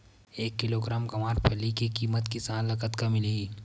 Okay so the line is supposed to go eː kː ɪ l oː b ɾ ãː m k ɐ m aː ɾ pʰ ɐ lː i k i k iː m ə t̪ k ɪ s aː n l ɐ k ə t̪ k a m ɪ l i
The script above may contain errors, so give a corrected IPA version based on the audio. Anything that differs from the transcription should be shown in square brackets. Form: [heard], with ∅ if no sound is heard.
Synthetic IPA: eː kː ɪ l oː [ɡ] ɾ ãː m k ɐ m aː ɾ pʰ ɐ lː i k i k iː m ə t̪ k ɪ s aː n l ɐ k ə t̪ k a m ɪ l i